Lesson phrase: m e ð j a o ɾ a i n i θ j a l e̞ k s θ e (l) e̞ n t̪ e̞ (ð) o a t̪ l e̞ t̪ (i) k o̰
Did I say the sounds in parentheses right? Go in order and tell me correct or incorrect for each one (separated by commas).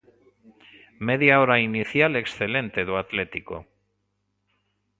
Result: correct, correct, correct